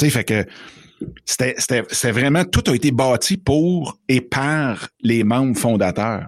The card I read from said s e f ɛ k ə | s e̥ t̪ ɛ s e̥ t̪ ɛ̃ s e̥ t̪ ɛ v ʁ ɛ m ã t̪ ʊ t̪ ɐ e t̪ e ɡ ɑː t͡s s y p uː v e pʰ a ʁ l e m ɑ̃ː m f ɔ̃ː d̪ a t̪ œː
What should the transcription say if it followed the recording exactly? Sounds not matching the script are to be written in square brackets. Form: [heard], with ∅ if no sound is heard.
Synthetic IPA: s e f ɛ k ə | s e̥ t̪ ɛ s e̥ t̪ [ɛ] s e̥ t̪ ɛ v ʁ ɛ m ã t̪ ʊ t̪ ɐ e t̪ e [b] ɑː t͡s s [i] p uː [ʁ] e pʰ a ʁ l e m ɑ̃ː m f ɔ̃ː d̪ a t̪ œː